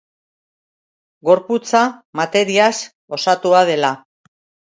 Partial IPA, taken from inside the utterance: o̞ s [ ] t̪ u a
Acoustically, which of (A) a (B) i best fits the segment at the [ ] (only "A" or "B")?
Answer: A